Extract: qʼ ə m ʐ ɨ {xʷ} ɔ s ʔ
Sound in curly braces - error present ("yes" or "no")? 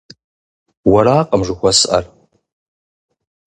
no